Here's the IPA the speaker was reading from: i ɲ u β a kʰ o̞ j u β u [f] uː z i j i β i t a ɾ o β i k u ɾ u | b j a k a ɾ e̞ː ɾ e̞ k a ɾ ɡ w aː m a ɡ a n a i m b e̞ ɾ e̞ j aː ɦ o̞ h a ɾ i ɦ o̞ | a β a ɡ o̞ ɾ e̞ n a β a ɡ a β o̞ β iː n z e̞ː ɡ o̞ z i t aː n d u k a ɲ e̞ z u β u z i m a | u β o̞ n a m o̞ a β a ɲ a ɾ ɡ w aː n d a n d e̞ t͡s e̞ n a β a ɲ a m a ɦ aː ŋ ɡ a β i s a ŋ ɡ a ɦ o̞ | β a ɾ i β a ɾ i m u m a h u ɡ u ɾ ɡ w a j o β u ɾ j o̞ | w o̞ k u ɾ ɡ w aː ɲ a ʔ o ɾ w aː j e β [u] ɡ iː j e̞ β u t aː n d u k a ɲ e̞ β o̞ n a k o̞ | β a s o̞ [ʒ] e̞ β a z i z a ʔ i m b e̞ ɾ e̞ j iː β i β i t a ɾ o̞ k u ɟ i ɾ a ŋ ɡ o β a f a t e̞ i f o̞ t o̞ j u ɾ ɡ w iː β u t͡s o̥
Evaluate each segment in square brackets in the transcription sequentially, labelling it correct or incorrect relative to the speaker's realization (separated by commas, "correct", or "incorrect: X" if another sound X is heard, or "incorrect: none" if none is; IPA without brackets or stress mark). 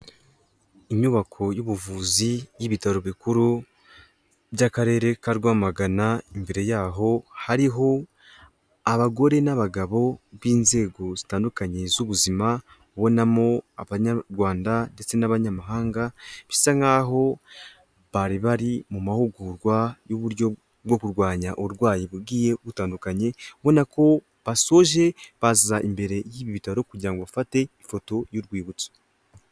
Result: incorrect: v, correct, correct